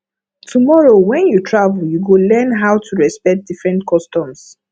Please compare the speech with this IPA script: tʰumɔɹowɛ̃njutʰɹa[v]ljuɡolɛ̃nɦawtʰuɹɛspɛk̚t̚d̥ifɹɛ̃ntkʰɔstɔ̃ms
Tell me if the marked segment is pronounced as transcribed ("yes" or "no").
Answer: yes